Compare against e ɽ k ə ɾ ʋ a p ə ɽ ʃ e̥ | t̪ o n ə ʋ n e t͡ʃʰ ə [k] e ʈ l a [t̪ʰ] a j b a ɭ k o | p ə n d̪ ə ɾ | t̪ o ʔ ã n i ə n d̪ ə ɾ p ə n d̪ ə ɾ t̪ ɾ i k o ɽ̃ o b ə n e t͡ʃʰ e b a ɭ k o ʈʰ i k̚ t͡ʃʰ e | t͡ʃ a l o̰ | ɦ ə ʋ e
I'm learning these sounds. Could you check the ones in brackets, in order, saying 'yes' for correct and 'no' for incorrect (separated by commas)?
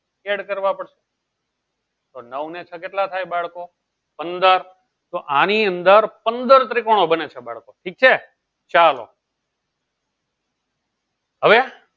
yes, yes